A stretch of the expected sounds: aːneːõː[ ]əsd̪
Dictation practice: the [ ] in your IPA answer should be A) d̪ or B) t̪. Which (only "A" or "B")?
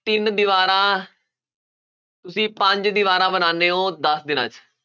A